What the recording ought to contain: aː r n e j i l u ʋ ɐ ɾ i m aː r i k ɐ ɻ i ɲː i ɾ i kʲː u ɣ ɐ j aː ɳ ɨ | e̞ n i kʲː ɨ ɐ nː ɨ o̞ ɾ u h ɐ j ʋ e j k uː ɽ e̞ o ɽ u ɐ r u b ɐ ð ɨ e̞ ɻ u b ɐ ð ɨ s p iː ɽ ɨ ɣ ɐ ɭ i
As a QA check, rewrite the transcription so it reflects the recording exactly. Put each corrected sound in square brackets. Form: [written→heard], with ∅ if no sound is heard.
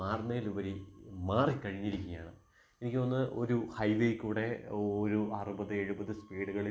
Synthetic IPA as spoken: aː r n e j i l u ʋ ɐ ɾ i m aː r i k ɐ ɻ i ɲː i ɾ i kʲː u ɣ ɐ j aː ɳ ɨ | e̞ n i kʲː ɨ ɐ nː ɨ o̞ ɾ u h ɐ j ʋ e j k uː ɽ e̞ o [ɽ→ɾ] u ɐ r u b ɐ ð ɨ e̞ ɻ u b ɐ ð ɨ s p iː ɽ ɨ ɣ ɐ ɭ i